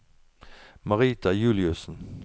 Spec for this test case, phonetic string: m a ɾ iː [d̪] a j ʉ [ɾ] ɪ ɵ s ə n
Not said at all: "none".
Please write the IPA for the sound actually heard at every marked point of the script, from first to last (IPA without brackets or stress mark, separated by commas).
t̪, l